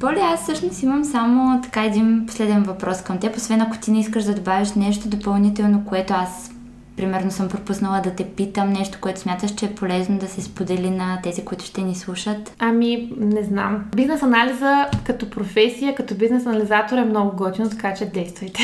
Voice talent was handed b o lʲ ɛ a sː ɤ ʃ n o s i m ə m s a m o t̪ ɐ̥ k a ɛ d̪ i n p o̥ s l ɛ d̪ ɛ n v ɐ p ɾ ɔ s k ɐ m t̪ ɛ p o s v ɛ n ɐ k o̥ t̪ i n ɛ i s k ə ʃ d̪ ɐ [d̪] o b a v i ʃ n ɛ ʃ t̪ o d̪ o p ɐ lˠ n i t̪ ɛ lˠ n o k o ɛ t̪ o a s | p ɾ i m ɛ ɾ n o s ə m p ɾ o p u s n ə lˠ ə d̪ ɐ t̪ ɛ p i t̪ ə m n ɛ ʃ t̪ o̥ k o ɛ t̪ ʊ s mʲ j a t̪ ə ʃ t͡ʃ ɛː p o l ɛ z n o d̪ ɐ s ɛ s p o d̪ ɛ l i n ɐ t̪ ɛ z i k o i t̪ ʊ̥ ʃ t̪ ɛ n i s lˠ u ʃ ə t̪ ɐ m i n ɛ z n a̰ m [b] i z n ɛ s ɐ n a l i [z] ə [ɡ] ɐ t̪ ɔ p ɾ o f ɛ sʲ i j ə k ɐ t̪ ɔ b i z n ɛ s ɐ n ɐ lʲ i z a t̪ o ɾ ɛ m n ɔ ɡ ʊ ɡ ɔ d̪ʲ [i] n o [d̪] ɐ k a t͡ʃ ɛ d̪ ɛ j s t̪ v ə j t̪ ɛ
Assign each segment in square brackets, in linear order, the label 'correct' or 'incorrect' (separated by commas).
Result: correct, correct, correct, incorrect, correct, incorrect